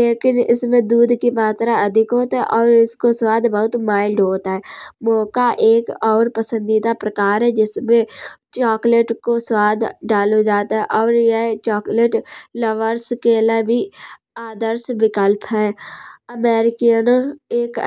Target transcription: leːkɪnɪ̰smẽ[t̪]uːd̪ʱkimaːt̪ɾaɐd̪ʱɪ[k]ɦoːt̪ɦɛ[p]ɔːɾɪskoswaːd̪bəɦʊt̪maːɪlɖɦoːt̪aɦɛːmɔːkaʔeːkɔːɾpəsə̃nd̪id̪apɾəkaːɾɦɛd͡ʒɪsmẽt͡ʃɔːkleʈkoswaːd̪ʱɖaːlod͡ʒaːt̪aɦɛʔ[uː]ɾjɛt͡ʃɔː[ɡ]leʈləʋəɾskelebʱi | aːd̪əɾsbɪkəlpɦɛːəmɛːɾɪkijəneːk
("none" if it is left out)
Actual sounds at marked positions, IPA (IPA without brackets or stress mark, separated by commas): d̪, k, ʔ, ɔː, k